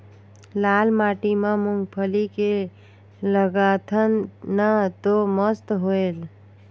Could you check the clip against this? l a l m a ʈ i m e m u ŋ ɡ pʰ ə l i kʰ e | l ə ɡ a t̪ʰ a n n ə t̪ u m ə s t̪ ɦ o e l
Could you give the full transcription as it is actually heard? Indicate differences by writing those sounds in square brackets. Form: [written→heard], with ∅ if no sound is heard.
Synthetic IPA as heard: l a l m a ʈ i m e m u ŋ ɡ pʰ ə l i [kʰ→k] e | l ə ɡ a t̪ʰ [a→ə] n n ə t̪ [u→o] m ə s t̪ ɦ o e l